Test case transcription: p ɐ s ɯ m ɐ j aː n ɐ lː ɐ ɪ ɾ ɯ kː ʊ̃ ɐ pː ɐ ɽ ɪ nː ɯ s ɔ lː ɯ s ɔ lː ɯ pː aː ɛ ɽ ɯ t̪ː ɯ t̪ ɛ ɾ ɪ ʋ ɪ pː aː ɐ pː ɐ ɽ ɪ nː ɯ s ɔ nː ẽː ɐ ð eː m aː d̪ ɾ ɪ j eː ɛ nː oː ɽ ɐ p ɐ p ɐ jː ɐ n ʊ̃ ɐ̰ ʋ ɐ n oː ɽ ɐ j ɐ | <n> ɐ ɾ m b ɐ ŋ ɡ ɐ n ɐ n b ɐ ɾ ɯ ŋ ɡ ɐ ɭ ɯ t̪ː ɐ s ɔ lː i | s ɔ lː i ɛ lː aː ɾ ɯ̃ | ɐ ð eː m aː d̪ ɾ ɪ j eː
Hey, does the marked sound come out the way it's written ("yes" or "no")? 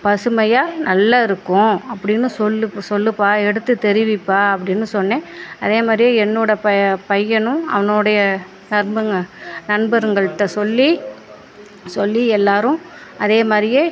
yes